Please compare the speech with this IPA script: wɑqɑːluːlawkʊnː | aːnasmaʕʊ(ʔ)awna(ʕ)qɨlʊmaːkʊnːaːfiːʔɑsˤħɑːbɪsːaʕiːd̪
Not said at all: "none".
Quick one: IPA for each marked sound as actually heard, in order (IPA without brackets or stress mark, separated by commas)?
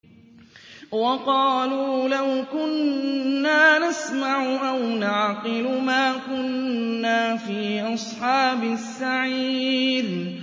ʔ, ʕ